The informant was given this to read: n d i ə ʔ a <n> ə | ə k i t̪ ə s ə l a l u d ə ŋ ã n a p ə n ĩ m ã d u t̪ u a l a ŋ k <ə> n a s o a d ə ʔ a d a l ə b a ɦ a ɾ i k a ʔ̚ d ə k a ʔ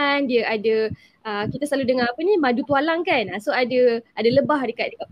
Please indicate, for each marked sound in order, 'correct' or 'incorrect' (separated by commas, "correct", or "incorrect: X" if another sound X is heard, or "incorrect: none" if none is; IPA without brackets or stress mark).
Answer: incorrect: d, incorrect: a